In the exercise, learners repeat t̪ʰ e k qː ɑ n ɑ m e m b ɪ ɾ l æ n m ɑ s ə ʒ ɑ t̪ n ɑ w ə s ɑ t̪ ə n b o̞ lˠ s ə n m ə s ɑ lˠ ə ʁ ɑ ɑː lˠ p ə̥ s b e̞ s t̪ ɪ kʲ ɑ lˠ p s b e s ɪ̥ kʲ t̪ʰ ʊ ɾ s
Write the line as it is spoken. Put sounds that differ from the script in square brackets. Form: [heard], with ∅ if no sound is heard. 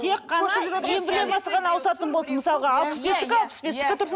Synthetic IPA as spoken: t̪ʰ e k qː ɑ n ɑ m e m b ɪ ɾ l [e] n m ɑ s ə [ʁ] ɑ [∅] n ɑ w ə s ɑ t̪ ə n b o̞ lˠ s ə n m ə s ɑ lˠ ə ʁ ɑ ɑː lˠ p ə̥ s b e̞ s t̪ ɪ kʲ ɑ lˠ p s b e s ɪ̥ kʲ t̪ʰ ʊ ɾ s